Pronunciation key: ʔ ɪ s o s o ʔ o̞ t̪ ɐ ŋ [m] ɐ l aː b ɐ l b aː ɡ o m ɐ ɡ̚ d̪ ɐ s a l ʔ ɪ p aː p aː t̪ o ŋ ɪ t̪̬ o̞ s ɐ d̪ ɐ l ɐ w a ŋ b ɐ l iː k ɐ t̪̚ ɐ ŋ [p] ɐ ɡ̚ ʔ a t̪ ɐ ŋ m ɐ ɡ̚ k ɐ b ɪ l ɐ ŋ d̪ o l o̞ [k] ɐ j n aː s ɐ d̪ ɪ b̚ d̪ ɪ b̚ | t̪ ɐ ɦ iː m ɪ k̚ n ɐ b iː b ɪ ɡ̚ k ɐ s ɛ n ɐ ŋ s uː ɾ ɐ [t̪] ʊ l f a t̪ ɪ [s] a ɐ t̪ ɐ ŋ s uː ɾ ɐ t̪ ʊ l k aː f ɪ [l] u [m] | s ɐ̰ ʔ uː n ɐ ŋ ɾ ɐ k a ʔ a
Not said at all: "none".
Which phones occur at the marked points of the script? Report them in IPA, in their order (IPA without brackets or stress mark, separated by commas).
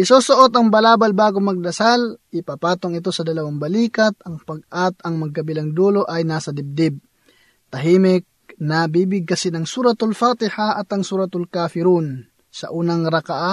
b, p, ʔ, t̪, h, ɾ, n